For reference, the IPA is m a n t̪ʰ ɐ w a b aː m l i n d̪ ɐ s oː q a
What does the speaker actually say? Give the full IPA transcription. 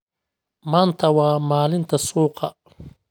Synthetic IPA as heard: m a n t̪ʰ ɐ w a m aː l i n t̪ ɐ s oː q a